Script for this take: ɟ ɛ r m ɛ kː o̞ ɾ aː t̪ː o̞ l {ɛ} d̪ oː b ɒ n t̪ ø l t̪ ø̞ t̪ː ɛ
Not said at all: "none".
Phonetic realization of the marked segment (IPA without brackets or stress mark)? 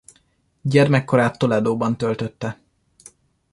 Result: ɛ